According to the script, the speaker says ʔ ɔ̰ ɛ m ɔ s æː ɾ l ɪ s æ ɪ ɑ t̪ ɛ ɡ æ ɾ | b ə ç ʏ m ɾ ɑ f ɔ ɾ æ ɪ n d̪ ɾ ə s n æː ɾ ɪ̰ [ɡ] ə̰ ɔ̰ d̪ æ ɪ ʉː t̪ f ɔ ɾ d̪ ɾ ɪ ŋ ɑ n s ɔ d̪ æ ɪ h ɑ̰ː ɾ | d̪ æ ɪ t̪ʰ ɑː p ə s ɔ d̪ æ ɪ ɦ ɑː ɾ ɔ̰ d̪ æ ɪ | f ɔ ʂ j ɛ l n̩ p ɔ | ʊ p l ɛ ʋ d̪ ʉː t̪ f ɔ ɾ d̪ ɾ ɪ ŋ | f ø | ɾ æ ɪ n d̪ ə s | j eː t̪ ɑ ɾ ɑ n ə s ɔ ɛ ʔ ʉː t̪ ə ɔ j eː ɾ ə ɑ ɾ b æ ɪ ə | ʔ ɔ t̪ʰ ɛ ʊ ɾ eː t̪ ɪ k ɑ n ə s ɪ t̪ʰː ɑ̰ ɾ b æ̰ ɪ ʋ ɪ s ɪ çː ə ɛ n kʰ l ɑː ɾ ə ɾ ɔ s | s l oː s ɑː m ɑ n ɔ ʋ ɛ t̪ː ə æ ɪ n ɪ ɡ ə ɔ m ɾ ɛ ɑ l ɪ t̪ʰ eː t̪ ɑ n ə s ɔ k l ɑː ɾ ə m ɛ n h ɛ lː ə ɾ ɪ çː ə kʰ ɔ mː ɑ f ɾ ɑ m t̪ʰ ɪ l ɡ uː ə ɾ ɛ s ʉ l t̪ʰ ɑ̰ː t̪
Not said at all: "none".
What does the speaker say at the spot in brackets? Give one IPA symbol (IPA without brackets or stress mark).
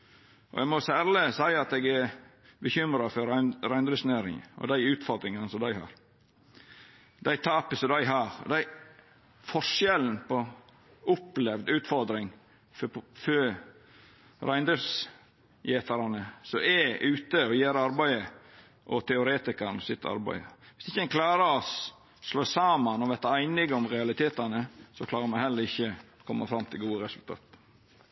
ŋ